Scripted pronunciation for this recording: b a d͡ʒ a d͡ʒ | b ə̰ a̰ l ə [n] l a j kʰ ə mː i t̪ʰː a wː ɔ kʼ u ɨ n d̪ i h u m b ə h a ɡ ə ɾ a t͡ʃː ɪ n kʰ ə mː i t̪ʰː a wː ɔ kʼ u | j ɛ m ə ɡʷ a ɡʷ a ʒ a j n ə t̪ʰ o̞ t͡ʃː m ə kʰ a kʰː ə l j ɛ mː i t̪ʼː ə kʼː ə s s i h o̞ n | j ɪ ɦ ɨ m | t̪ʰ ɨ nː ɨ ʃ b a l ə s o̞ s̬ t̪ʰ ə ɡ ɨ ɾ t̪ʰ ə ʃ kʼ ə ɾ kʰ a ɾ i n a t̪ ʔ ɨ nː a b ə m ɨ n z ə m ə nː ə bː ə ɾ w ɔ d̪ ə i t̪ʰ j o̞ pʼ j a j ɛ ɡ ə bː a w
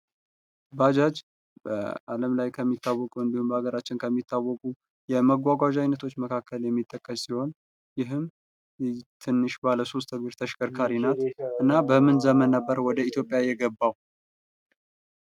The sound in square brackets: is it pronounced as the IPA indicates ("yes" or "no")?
no